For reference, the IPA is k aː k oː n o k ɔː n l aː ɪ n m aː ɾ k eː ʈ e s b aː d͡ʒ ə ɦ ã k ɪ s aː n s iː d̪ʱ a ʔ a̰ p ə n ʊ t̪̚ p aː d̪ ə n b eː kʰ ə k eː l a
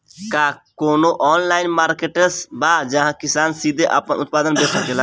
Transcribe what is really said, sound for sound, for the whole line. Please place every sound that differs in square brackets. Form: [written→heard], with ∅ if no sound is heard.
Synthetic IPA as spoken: k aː k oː n o [k→ʔ] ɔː n l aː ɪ n m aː ɾ k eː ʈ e s b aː d͡ʒ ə ɦ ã k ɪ s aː n s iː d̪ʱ [a→e] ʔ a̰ p ə n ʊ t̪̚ p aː d̪ ə n b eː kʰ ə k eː l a